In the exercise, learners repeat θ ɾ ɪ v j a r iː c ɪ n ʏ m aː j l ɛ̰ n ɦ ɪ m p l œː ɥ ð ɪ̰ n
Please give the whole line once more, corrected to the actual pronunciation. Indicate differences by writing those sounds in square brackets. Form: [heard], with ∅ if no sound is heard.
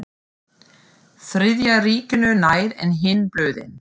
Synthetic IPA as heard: θ ɾ ɪ [ð] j a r iː c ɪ n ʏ [n] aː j [ɾ] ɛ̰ n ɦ ɪ [n] p l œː ɥ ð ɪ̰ n